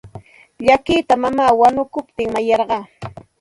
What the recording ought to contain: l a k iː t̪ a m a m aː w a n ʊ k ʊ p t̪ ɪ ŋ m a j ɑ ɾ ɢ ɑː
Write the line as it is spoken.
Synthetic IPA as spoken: ʎ a k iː t̪ a m a m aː w a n ʊ k ʊ p t̪ ɪ ŋ m a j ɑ ɾ ɢ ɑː